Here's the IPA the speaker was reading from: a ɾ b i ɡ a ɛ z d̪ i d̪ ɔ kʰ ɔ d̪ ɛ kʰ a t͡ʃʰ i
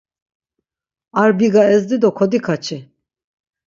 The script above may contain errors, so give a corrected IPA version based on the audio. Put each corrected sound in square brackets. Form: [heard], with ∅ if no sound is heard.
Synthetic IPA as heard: a ɾ b i ɡ a ɛ z d̪ i d̪ ɔ kʰ ɔ d̪ [i] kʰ a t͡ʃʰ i